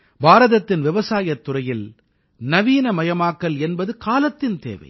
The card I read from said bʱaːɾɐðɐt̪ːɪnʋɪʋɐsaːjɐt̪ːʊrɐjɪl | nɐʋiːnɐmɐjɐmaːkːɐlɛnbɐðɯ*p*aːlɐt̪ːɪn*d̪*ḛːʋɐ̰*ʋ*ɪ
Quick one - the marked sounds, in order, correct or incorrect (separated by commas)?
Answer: incorrect, incorrect, incorrect